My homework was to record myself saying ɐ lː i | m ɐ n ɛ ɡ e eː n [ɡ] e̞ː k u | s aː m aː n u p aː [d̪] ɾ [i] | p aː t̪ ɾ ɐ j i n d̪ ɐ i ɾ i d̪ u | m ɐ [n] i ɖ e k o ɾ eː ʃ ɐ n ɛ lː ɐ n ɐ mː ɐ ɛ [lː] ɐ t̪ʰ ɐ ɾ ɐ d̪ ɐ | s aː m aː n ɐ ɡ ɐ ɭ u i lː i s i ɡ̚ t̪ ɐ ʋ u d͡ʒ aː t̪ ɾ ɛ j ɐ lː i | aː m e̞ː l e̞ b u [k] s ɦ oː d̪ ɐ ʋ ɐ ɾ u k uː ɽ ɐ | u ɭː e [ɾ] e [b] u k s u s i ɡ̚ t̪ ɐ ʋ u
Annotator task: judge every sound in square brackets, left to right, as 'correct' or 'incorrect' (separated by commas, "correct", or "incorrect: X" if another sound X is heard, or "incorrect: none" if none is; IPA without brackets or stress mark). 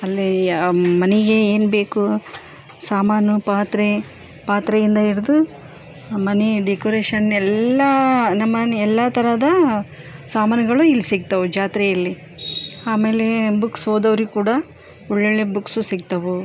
incorrect: b, incorrect: t̪, incorrect: e, correct, correct, correct, incorrect: ɭ, correct